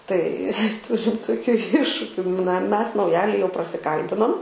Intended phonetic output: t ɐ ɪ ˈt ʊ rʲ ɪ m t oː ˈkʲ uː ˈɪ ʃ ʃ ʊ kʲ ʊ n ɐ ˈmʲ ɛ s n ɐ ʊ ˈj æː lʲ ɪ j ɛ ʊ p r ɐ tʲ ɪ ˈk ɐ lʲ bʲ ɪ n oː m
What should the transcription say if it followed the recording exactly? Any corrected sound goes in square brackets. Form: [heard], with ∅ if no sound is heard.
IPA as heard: t ɐ ɪ ˈt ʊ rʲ ɪ m t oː ˈkʲ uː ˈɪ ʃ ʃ ʊ kʲ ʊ n ɐ ˈmʲ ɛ s n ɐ ʊ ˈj æː lʲ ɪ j ɛ ʊ p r ɐ [sʲ] ɪ ˈk ɐ lʲ bʲ ɪ n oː m